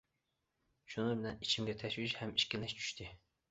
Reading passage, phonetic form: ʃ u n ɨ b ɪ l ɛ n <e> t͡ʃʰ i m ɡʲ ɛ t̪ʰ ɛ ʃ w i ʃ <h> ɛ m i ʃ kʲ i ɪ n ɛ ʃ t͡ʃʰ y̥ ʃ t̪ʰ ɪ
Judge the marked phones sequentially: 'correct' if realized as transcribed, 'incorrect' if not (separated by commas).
incorrect, correct